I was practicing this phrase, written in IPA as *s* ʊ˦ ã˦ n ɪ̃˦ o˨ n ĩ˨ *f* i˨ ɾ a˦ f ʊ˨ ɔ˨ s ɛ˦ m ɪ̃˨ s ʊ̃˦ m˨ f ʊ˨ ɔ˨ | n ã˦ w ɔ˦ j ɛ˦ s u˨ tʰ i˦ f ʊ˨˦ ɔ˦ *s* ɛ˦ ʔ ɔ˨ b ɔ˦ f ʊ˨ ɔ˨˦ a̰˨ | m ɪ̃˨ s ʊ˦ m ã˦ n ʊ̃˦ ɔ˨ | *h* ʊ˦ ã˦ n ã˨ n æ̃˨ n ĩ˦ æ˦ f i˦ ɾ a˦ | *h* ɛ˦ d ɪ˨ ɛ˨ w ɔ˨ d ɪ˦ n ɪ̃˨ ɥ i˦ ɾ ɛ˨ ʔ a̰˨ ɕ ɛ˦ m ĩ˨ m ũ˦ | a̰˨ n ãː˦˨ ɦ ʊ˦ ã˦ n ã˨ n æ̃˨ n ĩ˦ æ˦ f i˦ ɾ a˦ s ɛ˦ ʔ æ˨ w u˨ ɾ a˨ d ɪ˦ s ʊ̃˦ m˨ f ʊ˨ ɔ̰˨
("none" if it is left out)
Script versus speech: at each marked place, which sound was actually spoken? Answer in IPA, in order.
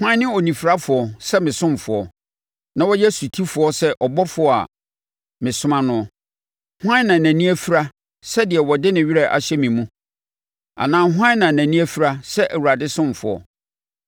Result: h, f, s, h, s

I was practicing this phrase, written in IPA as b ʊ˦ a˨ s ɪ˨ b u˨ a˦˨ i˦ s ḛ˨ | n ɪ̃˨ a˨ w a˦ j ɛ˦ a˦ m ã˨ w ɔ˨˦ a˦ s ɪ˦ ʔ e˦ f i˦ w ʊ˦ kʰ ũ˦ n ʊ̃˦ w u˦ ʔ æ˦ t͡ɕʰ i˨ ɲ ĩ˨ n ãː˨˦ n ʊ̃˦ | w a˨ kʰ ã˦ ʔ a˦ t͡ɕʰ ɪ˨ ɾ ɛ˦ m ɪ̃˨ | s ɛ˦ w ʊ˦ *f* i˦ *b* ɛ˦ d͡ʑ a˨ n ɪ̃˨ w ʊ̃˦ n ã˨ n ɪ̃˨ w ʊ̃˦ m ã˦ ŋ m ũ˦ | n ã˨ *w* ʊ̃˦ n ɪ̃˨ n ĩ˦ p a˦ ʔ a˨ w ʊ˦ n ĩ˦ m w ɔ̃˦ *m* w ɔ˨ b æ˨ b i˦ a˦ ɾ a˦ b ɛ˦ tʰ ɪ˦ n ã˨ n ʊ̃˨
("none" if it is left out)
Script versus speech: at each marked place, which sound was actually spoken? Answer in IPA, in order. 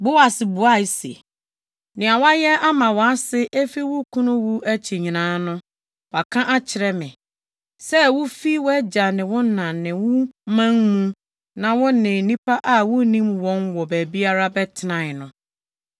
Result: f, w, w, n

